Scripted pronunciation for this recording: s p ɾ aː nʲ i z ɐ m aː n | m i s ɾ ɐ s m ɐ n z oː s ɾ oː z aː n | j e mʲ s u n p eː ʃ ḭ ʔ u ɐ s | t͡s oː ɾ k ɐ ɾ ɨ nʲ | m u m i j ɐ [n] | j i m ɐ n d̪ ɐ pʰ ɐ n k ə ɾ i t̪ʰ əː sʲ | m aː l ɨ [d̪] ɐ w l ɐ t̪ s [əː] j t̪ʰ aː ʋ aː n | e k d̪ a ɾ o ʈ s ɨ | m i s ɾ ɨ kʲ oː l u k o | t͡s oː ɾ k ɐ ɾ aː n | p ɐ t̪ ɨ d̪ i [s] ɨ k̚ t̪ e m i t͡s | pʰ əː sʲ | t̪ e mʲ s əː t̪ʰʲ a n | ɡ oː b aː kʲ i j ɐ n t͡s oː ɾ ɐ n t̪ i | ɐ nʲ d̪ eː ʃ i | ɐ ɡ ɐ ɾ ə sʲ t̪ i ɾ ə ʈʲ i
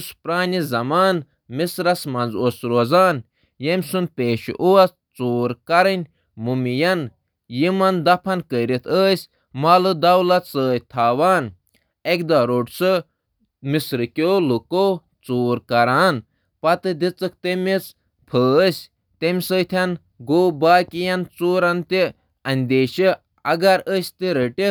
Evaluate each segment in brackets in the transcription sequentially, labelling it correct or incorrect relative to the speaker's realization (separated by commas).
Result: correct, correct, correct, incorrect